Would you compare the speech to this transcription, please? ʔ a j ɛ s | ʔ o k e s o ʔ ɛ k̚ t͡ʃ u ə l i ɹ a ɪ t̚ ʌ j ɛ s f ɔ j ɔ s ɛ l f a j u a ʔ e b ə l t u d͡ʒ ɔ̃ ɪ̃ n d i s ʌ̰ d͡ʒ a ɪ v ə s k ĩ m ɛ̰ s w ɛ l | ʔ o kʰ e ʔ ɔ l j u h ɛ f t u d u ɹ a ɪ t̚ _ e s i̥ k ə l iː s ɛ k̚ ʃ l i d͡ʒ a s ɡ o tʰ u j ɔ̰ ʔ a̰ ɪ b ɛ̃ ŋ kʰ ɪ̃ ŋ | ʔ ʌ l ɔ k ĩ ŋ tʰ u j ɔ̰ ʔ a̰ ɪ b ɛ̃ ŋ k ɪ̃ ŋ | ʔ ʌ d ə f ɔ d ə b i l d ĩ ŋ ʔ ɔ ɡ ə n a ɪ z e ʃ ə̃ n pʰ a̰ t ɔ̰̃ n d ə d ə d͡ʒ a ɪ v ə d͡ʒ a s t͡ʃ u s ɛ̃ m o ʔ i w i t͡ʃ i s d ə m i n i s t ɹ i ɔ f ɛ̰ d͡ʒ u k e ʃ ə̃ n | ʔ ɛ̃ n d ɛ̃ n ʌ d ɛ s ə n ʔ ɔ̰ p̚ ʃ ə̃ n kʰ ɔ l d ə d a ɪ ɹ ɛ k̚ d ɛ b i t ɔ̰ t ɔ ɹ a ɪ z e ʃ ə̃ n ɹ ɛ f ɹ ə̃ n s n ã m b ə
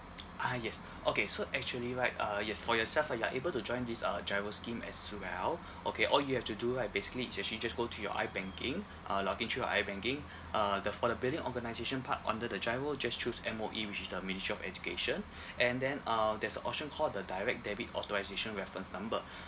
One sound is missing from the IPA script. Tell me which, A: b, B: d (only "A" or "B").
A